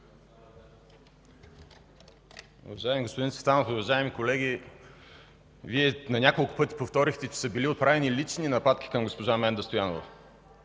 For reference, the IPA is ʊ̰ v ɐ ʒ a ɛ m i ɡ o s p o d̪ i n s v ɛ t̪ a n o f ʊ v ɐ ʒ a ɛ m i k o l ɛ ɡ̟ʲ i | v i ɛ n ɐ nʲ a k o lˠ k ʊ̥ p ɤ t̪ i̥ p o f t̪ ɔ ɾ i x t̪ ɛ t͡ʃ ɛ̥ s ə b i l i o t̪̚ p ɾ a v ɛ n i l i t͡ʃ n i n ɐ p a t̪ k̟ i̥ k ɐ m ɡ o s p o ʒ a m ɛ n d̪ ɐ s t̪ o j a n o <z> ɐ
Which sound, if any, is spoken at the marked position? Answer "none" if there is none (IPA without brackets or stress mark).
v